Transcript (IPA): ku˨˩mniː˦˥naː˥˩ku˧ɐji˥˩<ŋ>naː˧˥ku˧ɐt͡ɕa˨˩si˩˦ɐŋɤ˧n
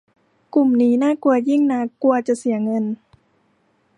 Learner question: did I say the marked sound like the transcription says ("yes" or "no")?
yes